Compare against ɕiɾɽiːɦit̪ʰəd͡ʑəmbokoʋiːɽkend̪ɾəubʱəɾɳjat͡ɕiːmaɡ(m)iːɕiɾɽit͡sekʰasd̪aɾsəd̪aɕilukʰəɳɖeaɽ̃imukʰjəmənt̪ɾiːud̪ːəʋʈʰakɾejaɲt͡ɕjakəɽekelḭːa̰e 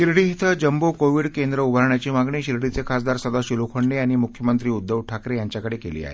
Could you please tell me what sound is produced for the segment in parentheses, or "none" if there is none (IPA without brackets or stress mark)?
ɳ